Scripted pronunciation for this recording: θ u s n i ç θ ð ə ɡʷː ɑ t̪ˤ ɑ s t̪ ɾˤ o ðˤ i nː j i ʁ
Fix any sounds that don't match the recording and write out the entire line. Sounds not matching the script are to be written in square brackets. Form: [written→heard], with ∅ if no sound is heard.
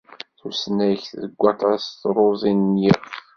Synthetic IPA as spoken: θ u s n [i→æ] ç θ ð ə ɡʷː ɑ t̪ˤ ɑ s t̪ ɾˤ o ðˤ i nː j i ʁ